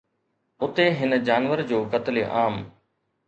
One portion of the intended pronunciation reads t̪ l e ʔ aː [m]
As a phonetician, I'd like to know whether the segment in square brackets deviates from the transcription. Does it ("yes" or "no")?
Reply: no